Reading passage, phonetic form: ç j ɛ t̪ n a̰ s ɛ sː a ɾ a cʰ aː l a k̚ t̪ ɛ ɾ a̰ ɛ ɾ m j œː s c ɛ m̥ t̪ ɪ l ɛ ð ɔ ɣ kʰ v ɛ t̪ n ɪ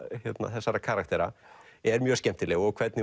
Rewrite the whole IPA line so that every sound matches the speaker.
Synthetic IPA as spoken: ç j ɛ t̪ n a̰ θ ɛ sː a ɾ a kʰ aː ɾ a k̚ t̪ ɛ ɾ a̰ ɛ ɾ m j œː s c ɛ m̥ t̪ ɪ l ɛ ɣ ɔ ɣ kʰ v ɛ t̪ n ɪ